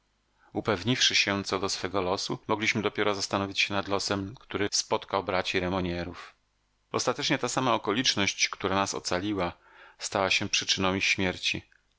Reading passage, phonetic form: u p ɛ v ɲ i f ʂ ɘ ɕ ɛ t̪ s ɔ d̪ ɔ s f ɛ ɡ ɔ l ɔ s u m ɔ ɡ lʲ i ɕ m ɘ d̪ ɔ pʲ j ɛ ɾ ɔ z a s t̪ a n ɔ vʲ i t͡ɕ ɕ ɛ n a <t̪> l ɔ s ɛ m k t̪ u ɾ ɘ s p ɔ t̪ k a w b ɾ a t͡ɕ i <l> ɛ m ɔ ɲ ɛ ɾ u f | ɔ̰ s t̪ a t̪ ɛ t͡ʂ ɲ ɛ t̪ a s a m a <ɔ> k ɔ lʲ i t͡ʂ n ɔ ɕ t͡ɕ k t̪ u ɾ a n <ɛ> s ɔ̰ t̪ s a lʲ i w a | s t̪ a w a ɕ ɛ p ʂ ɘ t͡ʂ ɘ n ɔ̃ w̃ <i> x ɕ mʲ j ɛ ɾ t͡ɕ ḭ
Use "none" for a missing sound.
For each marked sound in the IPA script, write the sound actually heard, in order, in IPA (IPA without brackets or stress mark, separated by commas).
d̪, ɾ, ɔ, a, i